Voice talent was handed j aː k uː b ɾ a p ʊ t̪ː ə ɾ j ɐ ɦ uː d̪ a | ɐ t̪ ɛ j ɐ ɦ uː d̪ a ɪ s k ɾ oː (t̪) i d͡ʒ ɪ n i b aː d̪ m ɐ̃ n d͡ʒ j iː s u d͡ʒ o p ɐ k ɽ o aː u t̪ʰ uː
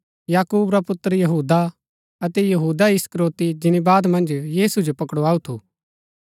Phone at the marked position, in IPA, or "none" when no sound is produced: t̪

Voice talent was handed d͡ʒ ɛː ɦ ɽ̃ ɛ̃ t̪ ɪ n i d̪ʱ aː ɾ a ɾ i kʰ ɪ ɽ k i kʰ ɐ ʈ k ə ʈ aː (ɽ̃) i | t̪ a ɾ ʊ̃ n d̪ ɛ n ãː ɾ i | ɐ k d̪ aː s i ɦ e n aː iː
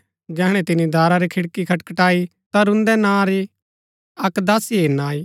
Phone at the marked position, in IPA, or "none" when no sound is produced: none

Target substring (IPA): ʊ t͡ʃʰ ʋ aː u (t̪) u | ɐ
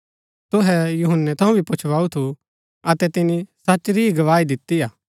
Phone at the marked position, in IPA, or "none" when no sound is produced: t̪ʰ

